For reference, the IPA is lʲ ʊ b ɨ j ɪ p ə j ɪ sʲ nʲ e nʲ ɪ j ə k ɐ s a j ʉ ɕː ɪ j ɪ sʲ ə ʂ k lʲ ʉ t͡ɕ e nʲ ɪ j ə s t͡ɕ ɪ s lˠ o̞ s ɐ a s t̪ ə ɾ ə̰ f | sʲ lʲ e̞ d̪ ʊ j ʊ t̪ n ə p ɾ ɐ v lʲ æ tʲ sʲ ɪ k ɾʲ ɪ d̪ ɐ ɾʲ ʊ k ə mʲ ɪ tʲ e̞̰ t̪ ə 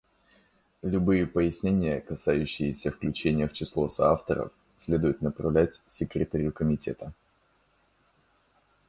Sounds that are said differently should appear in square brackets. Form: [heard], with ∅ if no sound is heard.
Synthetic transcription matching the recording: lʲ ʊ b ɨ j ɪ p ə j ɪ sʲ nʲ e nʲ ɪ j ə k ɐ s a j ʉ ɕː ɪ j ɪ sʲ ə [f] k lʲ ʉ t͡ɕ e nʲ ɪ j ə [f] t͡ɕ ɪ s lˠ o̞ s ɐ a [f] t̪ ə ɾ ə̰ f | sʲ lʲ e̞ d̪ ʊ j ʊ t̪ n ə p ɾ ɐ v lʲ æ tʲ sʲ ɪ k ɾʲ ɪ [t̪] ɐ ɾʲ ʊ k ə mʲ ɪ tʲ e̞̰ t̪ ə